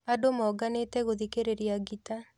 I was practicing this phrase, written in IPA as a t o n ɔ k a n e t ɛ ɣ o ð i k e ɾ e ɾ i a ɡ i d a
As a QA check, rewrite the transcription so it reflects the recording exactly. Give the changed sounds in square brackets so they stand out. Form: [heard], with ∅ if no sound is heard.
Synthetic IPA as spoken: a [d] o [m] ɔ [ɡ] a n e t ɛ ɣ o ð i k e ɾ e ɾ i a ɡ i [t] a